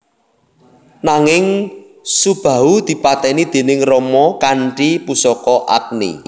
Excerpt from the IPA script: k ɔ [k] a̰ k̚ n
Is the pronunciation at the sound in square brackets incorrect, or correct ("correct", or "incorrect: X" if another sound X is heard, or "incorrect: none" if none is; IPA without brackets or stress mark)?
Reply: incorrect: ʔ